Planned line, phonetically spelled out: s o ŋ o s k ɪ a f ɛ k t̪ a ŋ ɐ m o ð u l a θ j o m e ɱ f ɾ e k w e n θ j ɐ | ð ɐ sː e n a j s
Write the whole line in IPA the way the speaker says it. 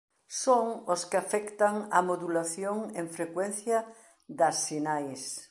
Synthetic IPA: s o ŋ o s k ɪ a f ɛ k t̪ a ŋ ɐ m o ð u l a θ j o ŋ e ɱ f ɾ e k w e n θ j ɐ | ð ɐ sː i n a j s